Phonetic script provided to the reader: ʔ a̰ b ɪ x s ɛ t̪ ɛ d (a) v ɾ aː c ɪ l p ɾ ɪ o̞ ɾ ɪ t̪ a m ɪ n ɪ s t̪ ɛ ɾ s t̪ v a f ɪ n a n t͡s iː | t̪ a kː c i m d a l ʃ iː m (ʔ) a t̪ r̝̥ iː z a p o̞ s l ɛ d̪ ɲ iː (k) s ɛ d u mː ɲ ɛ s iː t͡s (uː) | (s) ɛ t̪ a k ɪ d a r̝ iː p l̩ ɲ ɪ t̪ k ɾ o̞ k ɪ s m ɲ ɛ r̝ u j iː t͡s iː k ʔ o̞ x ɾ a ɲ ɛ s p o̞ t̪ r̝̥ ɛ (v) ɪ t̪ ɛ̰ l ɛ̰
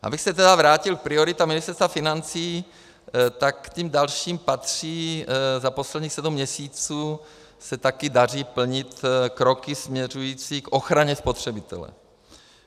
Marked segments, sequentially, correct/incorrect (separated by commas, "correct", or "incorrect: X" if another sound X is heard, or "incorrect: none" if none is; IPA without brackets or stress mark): correct, incorrect: p, incorrect: x, correct, correct, incorrect: b